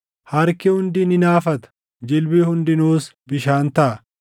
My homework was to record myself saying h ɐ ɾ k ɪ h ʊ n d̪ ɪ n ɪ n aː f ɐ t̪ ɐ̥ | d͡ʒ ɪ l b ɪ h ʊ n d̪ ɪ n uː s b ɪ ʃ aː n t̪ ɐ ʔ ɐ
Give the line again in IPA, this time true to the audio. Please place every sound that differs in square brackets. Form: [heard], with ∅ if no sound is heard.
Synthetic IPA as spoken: h ɐ ɾ k ɪ h ʊ n d̪ ɪ n ɪ n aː f ɐ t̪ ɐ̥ | d͡ʒ ɪ l b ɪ h ʊ n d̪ ɪ n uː s b ɪ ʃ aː n t̪ ɐ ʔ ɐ